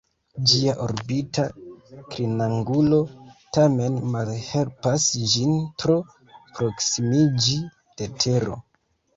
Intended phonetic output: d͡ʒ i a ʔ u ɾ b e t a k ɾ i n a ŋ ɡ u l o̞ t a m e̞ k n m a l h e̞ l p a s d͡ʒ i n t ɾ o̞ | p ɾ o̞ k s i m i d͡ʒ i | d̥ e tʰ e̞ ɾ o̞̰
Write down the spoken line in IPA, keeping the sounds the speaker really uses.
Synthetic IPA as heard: d͡ʒ i a ʔ o ɾ b i t a k ɾ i n a ŋ ɡ u l o̞ t a m e̞ n m a l h e̞ l p a s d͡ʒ i n t ɾ o̞ | p ɾ o̞ k s i m i d͡ʒ i | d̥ e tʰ e̞ ɾ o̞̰